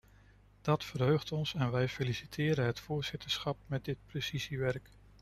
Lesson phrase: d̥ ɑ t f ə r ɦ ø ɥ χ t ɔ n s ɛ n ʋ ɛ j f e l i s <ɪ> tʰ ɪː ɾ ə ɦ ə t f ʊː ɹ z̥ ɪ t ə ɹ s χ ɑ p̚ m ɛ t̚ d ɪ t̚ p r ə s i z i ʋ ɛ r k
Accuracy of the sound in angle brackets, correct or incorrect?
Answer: incorrect